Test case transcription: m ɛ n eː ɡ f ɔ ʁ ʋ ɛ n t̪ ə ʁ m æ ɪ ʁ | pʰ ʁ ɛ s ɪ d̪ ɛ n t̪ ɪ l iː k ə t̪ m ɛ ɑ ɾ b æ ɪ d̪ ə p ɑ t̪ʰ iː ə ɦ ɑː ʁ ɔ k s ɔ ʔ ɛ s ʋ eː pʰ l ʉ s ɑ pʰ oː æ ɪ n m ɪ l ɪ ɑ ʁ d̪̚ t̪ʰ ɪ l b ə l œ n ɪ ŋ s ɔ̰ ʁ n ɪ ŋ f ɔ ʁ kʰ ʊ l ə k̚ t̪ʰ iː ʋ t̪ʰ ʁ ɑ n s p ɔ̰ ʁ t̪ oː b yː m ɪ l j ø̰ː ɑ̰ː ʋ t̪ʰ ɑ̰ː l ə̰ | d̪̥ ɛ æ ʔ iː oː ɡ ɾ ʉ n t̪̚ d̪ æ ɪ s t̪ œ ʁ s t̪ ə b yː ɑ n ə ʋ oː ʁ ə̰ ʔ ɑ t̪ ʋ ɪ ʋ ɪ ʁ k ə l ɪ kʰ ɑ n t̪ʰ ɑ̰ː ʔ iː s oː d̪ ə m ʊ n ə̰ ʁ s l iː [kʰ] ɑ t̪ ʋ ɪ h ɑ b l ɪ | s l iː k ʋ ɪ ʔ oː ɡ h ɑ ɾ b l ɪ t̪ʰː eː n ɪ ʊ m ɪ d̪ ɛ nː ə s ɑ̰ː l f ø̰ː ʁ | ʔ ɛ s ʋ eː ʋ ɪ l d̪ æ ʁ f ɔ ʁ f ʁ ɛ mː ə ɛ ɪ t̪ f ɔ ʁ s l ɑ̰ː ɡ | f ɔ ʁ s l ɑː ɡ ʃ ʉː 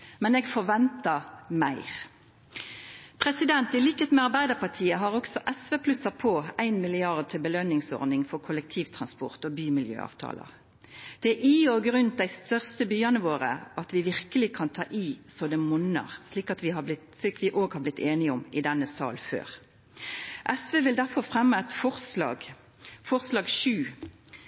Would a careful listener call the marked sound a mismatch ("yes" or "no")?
yes